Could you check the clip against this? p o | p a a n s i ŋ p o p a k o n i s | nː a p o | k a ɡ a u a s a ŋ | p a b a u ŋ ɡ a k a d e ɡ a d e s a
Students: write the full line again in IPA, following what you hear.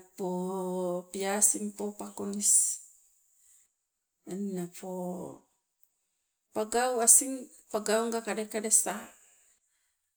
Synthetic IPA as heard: p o | p i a s i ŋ p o p a k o n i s | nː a p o | p a ɡ a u a s i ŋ | p a ɡ a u ŋ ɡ a k a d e k a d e s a